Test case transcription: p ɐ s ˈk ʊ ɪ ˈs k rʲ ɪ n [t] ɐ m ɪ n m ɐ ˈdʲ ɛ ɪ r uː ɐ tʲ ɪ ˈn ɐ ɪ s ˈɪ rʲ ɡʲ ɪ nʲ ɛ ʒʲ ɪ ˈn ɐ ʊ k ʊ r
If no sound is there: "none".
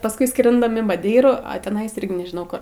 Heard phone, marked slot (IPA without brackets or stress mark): d